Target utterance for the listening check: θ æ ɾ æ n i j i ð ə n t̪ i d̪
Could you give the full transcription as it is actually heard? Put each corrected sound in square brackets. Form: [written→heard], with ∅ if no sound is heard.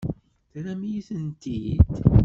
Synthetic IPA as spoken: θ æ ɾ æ [n→m] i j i [ð→θ] ə n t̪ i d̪